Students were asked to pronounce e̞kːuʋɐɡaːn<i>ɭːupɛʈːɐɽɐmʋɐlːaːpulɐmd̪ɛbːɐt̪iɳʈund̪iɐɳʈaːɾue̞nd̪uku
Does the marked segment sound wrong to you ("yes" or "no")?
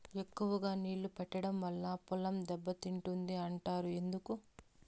yes